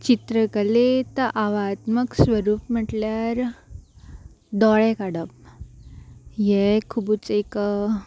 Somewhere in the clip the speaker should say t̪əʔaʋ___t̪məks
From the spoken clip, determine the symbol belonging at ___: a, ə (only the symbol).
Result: a